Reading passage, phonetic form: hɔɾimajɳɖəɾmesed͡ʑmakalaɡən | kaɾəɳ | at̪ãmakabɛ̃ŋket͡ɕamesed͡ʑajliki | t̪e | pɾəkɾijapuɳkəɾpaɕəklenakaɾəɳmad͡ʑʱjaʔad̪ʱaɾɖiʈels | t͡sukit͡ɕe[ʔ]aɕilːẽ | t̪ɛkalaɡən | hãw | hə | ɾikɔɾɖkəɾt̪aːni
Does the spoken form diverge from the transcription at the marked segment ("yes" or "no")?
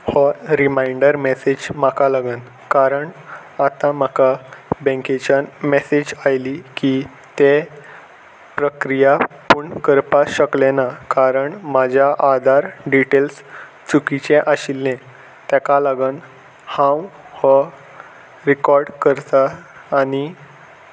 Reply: no